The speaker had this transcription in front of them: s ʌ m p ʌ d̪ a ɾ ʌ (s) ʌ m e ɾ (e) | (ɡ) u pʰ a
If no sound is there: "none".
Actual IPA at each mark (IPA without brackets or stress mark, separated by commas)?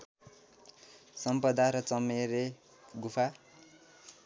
t͡s, e, ɡ